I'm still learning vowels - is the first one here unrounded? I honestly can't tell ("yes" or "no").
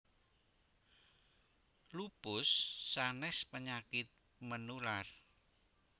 no